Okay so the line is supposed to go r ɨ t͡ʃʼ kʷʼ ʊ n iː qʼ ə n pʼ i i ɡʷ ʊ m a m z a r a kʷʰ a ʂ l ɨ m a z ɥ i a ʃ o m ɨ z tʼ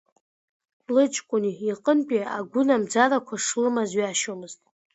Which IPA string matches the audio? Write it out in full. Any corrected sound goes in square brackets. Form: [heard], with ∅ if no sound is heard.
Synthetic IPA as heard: [l] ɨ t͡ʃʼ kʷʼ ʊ n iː qʼ ə n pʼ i [a] ɡʷ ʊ [n] a m [d͡z] a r a kʷʰ a ʂ l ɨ m a z ɥ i a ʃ o m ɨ z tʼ